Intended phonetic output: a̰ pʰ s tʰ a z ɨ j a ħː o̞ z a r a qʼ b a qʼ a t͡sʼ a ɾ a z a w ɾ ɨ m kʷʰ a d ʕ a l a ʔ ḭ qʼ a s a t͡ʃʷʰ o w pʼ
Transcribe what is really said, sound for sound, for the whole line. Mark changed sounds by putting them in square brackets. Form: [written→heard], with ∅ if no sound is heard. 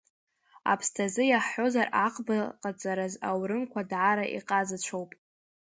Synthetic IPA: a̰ pʰ s tʰ a z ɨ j a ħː o̞ z a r a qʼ b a qʼ a t͡sʼ a ɾ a z a w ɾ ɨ m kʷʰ a d ʕ a [l→ɾ] a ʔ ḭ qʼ a [s→z] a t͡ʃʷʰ o w pʼ